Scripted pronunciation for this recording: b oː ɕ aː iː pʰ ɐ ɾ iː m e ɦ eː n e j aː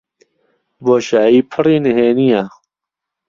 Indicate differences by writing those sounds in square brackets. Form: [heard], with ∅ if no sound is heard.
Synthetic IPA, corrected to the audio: b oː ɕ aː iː pʰ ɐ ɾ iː [n] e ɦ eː n [i] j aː

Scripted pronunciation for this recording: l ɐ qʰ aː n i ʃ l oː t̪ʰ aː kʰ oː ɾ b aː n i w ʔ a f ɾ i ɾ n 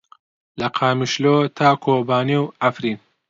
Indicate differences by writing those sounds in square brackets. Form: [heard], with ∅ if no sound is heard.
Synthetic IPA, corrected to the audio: l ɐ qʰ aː [m] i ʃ l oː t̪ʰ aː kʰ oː [∅] b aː n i w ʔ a f ɾ i [∅] n

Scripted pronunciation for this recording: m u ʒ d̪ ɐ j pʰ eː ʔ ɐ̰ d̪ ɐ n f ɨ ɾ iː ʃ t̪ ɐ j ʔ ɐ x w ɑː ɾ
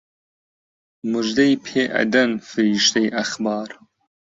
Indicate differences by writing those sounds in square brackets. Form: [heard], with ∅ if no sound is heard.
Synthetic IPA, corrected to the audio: m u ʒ d̪ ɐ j pʰ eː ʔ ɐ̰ d̪ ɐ n f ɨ ɾ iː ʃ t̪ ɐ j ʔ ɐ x [b] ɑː ɾ

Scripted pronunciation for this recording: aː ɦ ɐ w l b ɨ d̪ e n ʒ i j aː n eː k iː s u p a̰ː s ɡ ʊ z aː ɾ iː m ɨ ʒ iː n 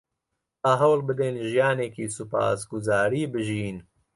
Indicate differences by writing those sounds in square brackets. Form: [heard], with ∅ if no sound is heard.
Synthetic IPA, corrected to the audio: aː ɦ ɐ w l b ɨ d̪ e n ʒ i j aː n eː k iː s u p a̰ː s ɡ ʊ z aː ɾ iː [b] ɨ ʒ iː n

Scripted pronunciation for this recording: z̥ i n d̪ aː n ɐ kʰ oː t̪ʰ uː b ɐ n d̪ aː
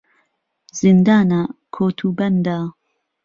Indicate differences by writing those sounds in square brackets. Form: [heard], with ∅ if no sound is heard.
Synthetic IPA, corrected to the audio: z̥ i n d̪ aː n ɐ kʰ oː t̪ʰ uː b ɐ n d̪ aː

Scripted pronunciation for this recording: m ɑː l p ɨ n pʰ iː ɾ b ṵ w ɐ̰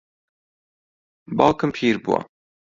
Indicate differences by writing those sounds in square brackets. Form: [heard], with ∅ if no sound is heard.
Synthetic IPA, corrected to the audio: [b] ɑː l [k] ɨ [m] pʰ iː ɾ b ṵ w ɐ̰

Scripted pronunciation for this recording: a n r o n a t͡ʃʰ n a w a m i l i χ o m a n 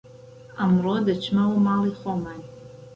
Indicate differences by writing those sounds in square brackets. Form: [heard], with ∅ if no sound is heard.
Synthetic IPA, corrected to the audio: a [m] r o [d] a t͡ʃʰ [m] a w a m [a] l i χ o m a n

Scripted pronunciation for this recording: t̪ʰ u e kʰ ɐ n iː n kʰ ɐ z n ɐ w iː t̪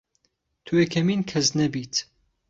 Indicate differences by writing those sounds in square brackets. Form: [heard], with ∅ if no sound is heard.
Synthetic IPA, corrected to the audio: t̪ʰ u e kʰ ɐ [m] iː n kʰ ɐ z n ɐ [b] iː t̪

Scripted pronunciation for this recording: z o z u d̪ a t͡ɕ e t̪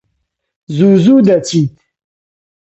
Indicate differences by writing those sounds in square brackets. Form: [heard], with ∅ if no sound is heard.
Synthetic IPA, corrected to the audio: z [u] z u d̪ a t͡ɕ [i] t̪

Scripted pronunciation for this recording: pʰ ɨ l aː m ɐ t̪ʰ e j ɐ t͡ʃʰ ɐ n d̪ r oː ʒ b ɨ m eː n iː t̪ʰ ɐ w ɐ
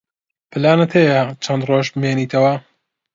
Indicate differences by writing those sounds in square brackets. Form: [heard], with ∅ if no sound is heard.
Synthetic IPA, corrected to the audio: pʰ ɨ l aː [n] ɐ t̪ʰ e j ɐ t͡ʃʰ ɐ n d̪ r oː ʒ b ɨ m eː n iː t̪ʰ ɐ w ɐ

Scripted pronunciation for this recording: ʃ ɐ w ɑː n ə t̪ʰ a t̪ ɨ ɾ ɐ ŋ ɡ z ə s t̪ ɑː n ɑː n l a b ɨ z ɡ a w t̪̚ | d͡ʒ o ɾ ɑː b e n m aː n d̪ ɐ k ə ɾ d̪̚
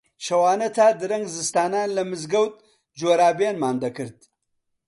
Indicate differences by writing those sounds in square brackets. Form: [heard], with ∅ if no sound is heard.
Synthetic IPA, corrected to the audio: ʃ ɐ w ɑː n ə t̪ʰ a [d̪] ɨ ɾ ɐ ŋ ɡ z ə s t̪ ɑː n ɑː n l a [m] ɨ z ɡ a w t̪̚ | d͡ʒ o ɾ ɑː b e n m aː n d̪ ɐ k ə ɾ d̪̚

